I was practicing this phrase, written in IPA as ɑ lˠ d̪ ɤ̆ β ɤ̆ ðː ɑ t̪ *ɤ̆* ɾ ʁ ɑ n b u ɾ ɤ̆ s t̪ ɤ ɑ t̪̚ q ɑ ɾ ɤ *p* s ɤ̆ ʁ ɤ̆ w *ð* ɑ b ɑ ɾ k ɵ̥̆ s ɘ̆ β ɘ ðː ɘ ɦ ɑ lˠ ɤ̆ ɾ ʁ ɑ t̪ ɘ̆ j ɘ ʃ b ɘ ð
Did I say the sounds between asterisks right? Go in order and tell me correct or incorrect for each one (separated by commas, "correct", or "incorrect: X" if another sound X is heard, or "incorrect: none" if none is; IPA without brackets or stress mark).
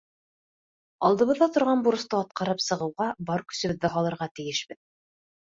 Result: incorrect: ŏ, correct, incorrect: ʁ